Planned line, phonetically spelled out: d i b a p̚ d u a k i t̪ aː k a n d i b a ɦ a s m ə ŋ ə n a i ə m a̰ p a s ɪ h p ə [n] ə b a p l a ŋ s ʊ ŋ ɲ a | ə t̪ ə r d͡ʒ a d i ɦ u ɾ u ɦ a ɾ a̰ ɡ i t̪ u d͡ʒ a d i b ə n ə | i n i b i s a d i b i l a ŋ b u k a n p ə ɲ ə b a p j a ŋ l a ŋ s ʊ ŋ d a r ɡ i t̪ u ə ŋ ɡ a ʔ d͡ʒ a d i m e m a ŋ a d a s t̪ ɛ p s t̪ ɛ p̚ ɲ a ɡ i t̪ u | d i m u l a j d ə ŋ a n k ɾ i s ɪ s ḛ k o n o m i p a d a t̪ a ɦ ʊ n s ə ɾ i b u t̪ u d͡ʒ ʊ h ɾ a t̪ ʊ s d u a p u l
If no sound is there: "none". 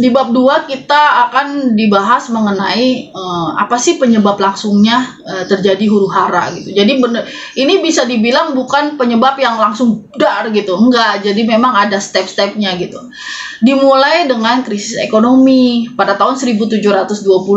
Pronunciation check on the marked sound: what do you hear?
ɲ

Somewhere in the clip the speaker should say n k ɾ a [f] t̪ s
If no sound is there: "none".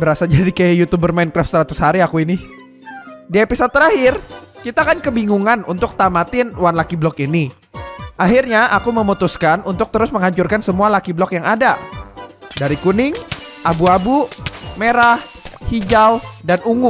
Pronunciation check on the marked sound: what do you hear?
f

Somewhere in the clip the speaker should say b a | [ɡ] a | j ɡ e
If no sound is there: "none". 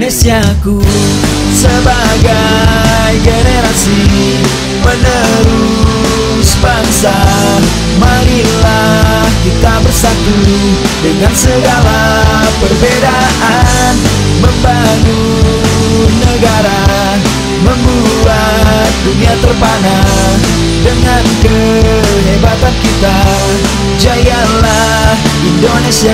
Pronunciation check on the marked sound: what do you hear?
ɡ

